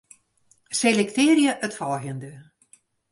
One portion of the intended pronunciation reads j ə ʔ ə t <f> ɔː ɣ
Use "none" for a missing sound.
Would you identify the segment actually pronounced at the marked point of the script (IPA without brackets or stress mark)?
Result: f